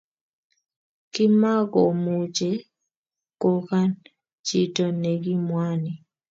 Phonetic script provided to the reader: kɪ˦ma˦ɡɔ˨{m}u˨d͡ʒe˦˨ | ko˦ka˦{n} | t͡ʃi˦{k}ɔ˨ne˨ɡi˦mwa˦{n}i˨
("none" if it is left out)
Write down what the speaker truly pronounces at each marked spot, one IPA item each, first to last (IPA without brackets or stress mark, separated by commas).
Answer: m, n, t, n